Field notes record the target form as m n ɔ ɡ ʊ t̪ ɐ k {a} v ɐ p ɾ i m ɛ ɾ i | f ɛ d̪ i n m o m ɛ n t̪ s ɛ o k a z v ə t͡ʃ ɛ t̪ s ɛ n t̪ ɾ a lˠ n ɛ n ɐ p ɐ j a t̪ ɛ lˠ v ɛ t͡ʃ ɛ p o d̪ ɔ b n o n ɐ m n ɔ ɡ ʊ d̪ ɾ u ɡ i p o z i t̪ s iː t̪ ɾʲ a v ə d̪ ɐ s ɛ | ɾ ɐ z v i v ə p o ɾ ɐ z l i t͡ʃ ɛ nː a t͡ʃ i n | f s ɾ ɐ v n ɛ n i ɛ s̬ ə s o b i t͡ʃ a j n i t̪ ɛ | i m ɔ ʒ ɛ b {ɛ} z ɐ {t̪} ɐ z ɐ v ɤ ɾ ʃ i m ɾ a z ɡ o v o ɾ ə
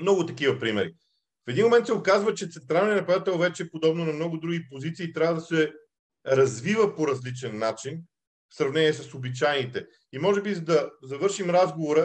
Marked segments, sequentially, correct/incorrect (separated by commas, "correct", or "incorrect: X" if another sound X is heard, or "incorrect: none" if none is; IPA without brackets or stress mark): incorrect: i, incorrect: i, incorrect: d̪